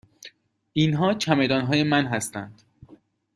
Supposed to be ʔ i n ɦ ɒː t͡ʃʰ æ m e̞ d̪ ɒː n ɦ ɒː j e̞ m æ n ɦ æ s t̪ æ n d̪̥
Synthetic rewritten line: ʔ i n ɦ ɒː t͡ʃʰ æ m e̞ d̪ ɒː n ɦ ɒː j e̞ m æ n ɦ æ s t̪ æ n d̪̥